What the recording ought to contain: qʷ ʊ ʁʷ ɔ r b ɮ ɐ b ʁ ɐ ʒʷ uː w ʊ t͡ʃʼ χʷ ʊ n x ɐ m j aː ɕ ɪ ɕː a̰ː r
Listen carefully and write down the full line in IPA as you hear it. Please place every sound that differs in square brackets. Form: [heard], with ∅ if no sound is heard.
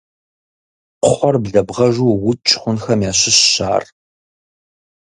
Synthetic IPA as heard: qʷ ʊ [χʷ] ɔ r b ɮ ɐ b ʁ ɐ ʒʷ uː w ʊ t͡ʃʼ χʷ ʊ n x ɐ m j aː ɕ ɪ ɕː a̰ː r